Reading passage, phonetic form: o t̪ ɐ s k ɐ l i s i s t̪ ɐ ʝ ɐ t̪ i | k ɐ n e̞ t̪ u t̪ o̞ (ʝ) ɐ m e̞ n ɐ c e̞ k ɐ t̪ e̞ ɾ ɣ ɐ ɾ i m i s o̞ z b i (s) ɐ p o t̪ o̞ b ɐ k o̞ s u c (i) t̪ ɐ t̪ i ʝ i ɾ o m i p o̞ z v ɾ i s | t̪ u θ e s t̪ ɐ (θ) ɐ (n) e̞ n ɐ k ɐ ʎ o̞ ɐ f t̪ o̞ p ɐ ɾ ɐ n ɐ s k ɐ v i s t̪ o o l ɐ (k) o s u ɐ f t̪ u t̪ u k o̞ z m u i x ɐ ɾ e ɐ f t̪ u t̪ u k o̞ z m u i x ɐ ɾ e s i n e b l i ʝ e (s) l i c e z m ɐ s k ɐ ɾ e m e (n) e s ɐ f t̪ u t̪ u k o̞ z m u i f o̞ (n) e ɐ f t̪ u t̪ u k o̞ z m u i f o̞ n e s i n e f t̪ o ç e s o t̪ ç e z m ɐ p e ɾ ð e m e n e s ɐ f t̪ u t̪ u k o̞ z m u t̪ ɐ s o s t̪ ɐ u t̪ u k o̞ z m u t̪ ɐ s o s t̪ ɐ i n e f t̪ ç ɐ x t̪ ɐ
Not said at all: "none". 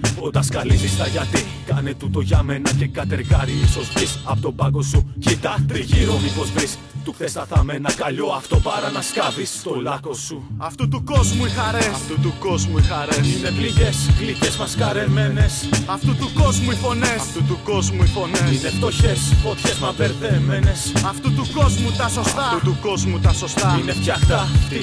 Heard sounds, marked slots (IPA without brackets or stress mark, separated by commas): ʝ, s, i, θ, m, k, s, n, n